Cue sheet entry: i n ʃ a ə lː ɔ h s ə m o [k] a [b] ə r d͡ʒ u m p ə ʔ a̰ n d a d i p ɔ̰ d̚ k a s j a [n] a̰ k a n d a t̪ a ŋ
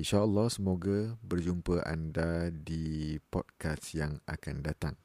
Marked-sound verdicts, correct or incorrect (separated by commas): incorrect, correct, incorrect